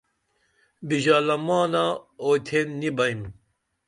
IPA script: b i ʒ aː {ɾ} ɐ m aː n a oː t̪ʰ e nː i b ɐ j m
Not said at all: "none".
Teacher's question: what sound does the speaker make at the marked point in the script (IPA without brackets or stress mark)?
l